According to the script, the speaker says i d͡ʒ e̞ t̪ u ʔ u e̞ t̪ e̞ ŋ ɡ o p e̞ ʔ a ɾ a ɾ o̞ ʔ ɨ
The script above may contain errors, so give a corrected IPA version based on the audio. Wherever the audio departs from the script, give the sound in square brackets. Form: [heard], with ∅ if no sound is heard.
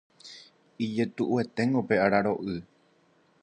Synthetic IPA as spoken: i d͡ʒ e̞ t̪ u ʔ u e̞ t̪ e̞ ŋ ɡ o p e̞ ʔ a ɾ a ɾ o̞ ʔ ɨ